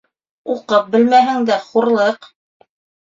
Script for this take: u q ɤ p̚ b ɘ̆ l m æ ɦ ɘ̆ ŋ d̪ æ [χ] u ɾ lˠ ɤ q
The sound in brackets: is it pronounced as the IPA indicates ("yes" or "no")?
yes